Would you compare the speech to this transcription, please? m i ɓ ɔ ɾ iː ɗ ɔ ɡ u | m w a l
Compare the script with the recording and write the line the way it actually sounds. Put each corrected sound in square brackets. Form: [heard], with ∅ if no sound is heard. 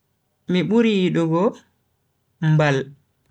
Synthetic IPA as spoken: m i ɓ [u] ɾ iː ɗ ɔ ɡ [ɔ] | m [b] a l